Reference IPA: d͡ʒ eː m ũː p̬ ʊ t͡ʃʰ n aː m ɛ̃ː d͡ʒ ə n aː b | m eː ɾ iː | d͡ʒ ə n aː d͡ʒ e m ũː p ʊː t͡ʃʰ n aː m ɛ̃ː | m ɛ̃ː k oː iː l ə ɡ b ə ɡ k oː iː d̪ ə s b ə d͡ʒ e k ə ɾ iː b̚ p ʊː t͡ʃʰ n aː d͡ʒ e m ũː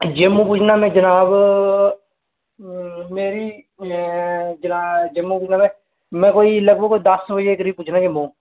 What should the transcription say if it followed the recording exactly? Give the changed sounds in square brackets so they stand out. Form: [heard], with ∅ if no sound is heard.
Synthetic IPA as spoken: d͡ʒ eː m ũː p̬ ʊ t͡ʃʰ n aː m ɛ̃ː d͡ʒ ə n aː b | m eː ɾ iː | d͡ʒ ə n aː d͡ʒ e m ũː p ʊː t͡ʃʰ n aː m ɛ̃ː | m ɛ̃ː k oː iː l ə ɡ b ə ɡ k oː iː d̪ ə s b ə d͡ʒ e k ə ɾ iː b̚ p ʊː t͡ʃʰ n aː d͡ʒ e m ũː